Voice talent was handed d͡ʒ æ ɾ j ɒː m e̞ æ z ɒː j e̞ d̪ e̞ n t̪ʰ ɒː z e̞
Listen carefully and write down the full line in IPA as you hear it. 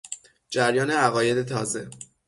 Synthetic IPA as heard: d͡ʒ æ ɾ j ɒː n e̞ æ ɣ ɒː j e̞ d̪ e̞ t̪ʰ ɒː z e̞